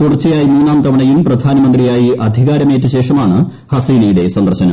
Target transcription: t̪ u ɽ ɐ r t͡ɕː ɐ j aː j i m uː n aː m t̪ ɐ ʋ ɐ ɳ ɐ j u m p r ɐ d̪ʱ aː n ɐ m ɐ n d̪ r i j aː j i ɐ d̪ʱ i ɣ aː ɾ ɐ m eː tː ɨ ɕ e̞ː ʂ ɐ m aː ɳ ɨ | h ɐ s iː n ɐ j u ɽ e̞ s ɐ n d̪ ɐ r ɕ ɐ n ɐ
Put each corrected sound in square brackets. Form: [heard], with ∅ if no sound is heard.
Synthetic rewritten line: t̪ u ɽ ɐ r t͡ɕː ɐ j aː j i m uː n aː m t̪ ɐ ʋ ɐ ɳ ɐ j u m p r ɐ d̪ʱ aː n ɐ m ɐ n d̪ r i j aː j i ɐ d̪ʱ i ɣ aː ɾ ɐ m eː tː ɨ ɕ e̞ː ʂ ɐ m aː ɳ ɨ | h ɐ s iː n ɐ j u ɽ e̞ s ɐ n d̪ ɐ r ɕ ɐ n ɐ